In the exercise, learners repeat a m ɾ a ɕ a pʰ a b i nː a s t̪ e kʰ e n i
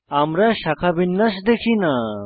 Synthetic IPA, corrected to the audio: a m ɾ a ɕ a kʰ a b i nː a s d̪ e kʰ i n a